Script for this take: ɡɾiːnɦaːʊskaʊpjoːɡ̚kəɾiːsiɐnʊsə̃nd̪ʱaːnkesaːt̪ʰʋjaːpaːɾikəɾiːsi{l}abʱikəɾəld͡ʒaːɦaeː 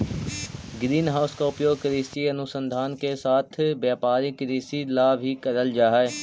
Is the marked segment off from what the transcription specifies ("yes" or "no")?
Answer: no